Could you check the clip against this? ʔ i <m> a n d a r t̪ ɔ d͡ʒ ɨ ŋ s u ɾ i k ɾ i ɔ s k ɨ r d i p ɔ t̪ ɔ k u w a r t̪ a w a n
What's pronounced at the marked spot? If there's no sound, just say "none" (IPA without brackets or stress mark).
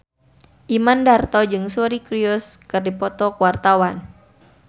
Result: m